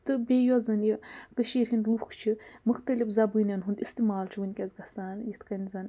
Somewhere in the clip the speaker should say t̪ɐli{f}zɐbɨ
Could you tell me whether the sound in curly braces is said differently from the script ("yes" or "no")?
no